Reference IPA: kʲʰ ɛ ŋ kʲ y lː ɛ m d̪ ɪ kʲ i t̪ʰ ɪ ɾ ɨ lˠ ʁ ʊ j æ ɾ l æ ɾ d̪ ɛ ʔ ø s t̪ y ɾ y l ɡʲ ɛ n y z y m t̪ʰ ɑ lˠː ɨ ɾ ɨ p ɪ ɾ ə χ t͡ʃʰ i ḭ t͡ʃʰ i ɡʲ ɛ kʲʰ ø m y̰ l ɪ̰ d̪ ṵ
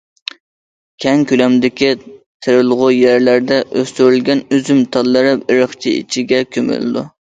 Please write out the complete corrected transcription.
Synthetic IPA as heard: kʲʰ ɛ ŋ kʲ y l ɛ m d̪ ɪ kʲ i t̪ʰ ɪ ɾ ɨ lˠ ʁ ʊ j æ ɾ l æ ɾ d̪ ɛ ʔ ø s t̪ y ɾ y l ɡʲ ɛ n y z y m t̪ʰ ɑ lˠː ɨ ɾ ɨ p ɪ ɾ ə χ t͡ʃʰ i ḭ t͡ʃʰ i ɡʲ ɛ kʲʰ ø m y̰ l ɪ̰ d̪ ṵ